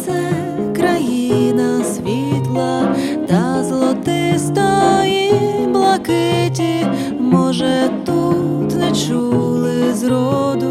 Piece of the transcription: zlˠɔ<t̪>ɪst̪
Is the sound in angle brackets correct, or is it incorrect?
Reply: correct